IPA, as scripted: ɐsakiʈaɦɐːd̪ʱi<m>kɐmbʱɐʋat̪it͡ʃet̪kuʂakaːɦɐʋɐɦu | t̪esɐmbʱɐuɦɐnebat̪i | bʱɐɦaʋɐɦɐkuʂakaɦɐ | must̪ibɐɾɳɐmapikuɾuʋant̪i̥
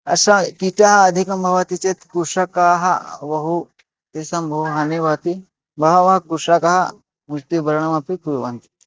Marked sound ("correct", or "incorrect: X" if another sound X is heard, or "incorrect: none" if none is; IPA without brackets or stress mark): incorrect: none